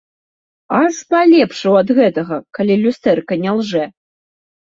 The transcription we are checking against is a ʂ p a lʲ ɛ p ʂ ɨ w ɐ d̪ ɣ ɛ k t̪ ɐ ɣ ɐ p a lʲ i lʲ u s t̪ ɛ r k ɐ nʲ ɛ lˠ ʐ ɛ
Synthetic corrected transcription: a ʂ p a lʲ ɛ p ʂ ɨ w ɐ d̪ ɣ ɛ t̪ ɐ ɣ ɐ k a lʲ i lʲ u s t̪ ɛ r k ɐ nʲ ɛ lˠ ʐ ɛ

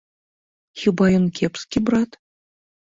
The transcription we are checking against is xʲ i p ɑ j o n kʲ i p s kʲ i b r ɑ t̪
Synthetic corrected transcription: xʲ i b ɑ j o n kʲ e p s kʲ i b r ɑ t̪

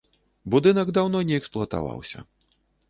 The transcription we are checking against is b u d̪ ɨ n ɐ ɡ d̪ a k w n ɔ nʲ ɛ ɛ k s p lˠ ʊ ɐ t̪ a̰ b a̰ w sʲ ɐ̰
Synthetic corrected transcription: b u d̪ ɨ n ɐ ɡ d̪ a w n ɔ nʲ ɛ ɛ k s p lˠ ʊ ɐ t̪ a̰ v a̰ w sʲ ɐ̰

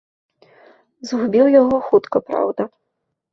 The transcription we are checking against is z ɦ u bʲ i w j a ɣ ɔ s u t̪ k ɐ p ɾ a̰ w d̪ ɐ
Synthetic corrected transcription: z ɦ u bʲ i w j a ɣ ɔ x u t̪ k ɐ p ɾ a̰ w d̪ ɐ

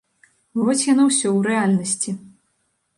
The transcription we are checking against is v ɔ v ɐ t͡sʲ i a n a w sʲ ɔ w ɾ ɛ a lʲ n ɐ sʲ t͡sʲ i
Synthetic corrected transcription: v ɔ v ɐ t͡sʲ j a n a w sʲ ɔ w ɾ ɛ a lʲ n ɐ sʲ t͡sʲ i

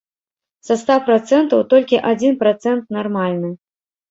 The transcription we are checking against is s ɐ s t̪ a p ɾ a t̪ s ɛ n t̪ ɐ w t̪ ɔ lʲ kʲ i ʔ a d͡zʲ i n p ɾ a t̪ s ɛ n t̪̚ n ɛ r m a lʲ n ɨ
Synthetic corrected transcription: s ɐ s t̪ a p ɾ a t̪ s ɛ n t̪ ɐ w t̪ ɔ lʲ kʲ i ʔ a d͡zʲ i n p ɾ a t̪ s ɛ n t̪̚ n a r m a lʲ n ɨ

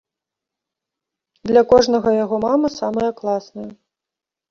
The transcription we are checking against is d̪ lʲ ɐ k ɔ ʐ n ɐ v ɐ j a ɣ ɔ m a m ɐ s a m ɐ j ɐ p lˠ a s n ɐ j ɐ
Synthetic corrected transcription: d̪ lʲ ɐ k ɔ ʐ n ɐ ɣ ɐ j a ɣ ɔ m a m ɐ s a m ɐ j ɐ k lˠ a s n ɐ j ɐ

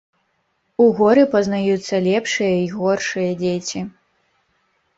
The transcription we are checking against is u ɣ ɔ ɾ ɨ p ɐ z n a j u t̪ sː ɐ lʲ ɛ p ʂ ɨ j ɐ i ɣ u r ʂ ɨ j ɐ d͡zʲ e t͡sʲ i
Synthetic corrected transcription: u ɣ ɔ ɾ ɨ p ɐ z n a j u t̪ sː ɐ lʲ ɛ p ʂ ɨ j ɐ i ɣ ɔ r ʂ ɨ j ɐ d͡zʲ e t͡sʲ i

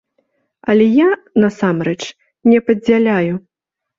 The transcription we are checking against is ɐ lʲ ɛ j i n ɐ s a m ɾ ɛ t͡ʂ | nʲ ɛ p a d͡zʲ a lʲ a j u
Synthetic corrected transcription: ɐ lʲ ɛ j a n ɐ s a m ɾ ɛ t͡ʂ | nʲ ɛ p ɐ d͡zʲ a lʲ a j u

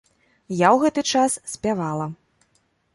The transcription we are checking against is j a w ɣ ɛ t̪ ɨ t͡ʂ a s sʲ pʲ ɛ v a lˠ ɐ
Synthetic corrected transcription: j a w ɣ ɛ t̪ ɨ t͡ʂ a s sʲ pʲ a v a lˠ ɐ

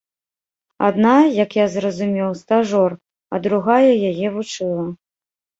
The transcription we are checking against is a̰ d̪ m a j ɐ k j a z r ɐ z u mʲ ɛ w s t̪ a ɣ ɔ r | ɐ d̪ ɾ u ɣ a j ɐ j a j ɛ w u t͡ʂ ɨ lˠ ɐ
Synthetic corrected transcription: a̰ d̪ n a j ɐ k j a z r ɐ z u mʲ ɛ w s t̪ a ʐ ɔ r | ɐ d̪ ɾ u ɣ a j ɐ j a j ɛ v u t͡ʂ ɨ lˠ ɐ

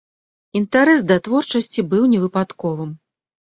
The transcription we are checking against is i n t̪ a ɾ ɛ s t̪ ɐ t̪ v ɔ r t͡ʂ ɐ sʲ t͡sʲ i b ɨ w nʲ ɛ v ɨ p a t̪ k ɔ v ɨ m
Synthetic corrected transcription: i n t̪ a ɾ ɛ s d̪ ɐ t̪ v ɔ r t͡ʂ ɐ sʲ t͡sʲ i b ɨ w nʲ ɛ v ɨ p a t̪ k ɔ v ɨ m

